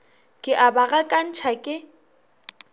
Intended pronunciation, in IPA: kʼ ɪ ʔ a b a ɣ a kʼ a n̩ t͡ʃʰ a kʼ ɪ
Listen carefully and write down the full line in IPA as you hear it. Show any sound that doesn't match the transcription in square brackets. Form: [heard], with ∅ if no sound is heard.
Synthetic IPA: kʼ ɪ ʔ a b a ɣ a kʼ a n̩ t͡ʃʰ a kʼ ɪ